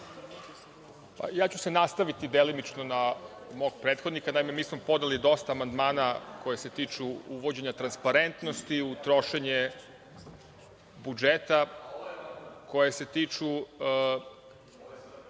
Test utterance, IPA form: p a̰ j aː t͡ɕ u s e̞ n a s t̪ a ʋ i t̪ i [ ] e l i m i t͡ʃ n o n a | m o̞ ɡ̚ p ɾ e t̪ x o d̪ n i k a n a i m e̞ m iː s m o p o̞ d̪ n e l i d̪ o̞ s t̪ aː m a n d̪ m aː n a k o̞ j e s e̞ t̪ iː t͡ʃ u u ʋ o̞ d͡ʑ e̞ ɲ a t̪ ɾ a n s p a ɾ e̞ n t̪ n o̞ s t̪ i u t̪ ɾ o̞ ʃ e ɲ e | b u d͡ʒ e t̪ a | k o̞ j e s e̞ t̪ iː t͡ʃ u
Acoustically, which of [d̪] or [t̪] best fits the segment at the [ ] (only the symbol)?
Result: d̪